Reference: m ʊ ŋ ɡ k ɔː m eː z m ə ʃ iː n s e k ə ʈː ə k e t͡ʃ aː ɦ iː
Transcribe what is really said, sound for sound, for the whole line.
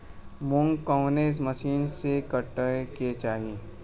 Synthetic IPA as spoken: m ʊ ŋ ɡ k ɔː n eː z m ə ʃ iː n s e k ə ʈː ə k e t͡ʃ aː ɦ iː